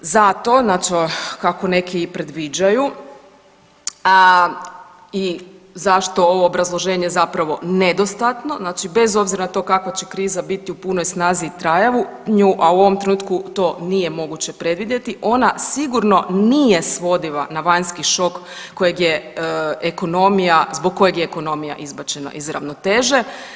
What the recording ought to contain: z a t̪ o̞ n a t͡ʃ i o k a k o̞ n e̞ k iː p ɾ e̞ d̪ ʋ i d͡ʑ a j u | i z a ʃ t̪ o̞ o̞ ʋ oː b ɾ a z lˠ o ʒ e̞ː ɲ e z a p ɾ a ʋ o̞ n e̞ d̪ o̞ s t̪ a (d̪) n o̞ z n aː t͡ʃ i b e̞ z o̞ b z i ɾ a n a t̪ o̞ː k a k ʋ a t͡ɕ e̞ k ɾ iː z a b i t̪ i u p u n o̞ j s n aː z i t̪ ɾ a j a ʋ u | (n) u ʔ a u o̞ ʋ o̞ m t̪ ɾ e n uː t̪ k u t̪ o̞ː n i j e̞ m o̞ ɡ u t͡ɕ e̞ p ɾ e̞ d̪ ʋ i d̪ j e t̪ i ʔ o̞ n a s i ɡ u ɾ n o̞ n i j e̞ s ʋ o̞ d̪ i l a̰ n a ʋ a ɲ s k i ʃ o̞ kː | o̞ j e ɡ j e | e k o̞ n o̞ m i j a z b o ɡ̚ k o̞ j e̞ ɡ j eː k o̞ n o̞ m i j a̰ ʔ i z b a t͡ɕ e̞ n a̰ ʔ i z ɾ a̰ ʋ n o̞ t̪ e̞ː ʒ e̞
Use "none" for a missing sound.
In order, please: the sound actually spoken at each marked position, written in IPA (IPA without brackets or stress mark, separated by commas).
t̪, ɲ